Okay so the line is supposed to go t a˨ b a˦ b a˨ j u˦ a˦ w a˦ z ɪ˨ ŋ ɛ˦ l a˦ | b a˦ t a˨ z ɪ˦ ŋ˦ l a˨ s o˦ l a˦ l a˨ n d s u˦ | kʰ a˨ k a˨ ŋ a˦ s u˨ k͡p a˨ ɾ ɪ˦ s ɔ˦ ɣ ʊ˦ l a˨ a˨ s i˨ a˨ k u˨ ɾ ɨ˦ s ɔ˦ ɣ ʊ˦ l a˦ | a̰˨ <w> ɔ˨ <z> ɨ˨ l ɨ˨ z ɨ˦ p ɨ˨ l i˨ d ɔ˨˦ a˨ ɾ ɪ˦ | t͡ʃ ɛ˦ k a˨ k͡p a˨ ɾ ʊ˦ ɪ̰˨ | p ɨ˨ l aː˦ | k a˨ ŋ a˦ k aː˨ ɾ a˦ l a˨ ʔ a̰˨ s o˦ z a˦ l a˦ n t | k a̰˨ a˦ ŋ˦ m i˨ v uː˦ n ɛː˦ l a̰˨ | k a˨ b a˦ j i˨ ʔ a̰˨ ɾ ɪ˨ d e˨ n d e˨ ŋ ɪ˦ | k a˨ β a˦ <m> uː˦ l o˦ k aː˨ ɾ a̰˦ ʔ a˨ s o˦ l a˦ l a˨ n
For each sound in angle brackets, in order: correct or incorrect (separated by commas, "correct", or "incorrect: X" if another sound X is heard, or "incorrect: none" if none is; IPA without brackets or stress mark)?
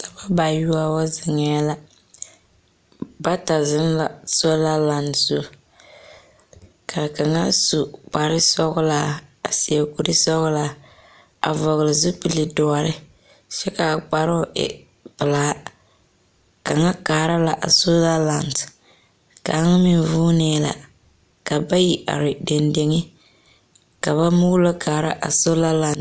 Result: incorrect: v, incorrect: ɣ, correct